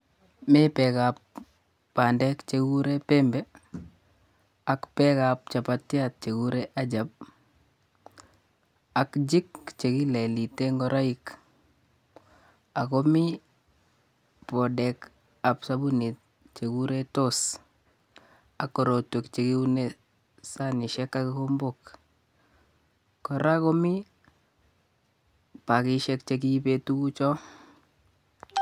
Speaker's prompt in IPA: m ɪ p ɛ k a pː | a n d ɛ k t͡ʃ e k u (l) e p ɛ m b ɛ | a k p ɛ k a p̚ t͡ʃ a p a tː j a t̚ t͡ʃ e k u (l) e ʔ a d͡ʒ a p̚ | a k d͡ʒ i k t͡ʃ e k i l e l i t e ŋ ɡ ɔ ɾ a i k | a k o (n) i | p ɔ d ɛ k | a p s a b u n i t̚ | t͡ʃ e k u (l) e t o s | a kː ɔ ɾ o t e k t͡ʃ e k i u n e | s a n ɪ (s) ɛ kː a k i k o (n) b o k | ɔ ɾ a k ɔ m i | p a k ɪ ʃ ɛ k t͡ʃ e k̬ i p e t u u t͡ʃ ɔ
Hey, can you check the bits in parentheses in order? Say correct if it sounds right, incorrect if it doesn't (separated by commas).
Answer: incorrect, incorrect, incorrect, incorrect, incorrect, incorrect